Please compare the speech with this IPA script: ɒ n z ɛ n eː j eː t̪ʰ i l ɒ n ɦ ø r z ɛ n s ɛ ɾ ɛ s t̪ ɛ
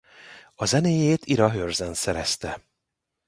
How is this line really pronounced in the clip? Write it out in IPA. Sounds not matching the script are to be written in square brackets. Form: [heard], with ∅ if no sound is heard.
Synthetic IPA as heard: ɒ [∅] z ɛ n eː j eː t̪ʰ i [ɾ] ɒ [∅] ɦ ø r z ɛ n s ɛ ɾ ɛ s t̪ ɛ